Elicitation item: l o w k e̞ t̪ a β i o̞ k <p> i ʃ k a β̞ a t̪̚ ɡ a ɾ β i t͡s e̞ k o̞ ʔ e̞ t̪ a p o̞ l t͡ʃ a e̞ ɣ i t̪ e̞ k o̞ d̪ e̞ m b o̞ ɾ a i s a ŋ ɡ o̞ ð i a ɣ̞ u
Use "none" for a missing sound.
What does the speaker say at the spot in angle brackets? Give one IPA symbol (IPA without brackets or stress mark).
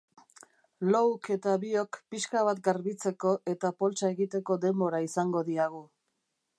p